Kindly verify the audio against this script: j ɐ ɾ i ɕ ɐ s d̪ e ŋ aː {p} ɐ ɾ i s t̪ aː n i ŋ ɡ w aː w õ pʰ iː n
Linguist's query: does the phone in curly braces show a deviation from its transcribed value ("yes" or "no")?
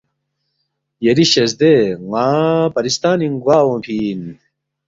no